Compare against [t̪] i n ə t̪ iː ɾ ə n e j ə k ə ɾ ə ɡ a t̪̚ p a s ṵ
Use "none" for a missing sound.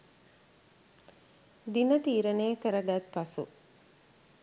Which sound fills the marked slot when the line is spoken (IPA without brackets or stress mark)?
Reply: d̪